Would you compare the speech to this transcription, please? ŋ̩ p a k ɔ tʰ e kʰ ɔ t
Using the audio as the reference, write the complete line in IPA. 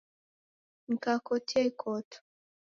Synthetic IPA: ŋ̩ k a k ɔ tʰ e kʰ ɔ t